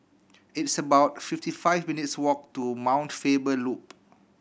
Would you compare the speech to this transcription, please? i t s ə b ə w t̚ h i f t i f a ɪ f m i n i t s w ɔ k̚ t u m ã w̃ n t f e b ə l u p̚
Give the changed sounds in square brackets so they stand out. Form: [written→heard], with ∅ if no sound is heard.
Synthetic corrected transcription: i t s ə b [ə→a] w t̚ [h→f] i f t i f a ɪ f m i n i t s w ɔ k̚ t u m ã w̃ n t f e b ə l u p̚